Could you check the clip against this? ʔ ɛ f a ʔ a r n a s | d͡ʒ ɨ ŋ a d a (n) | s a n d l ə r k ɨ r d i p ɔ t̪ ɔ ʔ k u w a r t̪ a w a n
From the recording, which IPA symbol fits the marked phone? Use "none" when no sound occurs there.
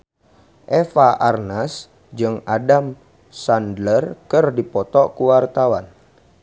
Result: m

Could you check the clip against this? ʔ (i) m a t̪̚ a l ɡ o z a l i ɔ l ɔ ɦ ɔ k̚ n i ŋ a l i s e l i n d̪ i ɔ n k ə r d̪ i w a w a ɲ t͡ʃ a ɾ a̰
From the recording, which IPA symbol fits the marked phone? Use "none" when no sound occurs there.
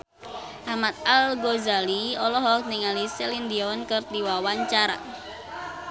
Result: a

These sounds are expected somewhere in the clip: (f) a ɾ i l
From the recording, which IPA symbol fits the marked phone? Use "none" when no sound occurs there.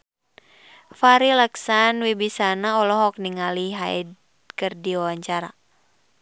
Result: f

